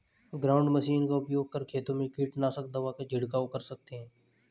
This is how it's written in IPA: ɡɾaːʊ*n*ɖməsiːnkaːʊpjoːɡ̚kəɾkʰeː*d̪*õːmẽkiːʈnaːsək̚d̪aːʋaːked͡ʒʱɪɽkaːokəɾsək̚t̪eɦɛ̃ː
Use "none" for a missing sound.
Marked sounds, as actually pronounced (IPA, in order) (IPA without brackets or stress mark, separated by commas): ɳ, t̪